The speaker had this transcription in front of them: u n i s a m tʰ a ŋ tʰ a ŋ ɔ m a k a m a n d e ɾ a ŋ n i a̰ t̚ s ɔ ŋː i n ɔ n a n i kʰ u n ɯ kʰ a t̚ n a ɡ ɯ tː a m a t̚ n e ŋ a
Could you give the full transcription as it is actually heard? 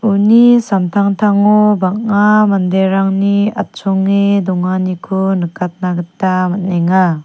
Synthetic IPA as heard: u n i s a m tʰ a ŋ tʰ a ŋ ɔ b a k a m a n d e ɾ a ŋ n i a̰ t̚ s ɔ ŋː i d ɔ ŋ a n i kʰ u n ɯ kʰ a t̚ n a ɡ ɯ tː a m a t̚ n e ŋ a